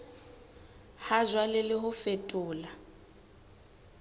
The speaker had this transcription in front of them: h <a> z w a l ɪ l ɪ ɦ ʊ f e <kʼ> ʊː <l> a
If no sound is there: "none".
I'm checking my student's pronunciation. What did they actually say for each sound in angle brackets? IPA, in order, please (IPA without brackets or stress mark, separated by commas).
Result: a, tʼ, l